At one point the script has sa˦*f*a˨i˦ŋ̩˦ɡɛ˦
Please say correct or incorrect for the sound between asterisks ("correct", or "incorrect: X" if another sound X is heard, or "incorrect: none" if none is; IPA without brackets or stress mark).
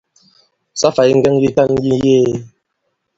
correct